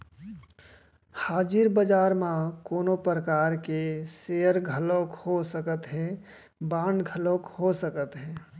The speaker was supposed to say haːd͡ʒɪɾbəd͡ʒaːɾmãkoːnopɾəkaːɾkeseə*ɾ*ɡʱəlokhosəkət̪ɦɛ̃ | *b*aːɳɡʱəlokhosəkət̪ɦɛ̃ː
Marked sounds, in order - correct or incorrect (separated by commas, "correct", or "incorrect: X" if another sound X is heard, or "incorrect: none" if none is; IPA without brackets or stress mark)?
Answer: correct, correct